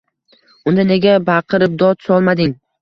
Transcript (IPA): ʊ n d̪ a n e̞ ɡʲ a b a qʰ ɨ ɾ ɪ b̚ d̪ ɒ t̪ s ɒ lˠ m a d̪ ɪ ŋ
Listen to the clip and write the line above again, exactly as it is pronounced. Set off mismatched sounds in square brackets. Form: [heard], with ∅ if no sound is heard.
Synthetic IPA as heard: ʊ n d̪ a n e̞ ɡʲ a b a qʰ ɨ ɾ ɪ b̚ d̪ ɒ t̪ s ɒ lˠ m a d̪ ɪ ŋ